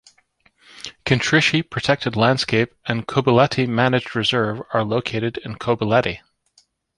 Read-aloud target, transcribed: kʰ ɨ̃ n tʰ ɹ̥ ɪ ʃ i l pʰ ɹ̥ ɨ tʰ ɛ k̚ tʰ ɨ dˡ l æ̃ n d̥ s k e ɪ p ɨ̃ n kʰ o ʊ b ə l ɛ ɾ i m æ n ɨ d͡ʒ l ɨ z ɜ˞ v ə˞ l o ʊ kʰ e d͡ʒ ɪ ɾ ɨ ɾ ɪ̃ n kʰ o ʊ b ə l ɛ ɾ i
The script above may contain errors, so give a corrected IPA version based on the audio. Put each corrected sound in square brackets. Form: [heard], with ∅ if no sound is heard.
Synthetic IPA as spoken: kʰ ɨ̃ n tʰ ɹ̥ ɪ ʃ i [∅] pʰ ɹ̥ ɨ tʰ ɛ k̚ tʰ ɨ dˡ l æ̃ n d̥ s k e ɪ p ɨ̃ n kʰ o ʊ b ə l ɛ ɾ i m æ n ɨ d͡ʒ [ɹ] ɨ z ɜ˞ v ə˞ l o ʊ kʰ e [∅] ɪ ɾ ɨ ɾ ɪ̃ n kʰ o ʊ b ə l ɛ ɾ i